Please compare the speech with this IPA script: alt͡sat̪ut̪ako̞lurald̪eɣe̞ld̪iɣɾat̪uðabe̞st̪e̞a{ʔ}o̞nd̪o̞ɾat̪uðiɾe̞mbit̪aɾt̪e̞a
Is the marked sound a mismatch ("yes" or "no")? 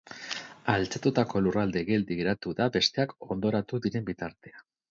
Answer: yes